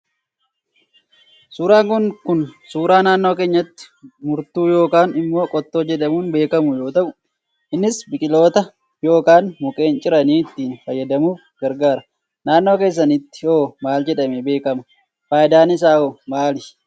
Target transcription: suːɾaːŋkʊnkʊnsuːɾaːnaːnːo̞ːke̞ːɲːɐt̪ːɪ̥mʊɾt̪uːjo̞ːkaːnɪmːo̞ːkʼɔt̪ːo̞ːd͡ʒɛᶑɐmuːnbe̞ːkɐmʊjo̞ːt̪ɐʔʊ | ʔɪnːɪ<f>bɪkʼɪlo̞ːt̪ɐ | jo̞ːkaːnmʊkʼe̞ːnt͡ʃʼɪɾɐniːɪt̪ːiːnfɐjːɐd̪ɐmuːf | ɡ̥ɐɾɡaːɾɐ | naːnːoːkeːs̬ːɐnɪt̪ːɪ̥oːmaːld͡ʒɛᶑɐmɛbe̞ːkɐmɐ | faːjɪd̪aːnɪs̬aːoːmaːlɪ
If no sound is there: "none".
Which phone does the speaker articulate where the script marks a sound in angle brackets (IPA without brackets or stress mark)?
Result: s